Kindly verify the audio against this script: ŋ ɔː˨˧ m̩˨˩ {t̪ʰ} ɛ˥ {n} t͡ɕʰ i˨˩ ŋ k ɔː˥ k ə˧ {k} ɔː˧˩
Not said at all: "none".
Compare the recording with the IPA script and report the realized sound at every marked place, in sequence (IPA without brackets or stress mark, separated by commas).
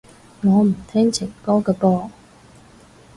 t̪ʰ, ŋ, p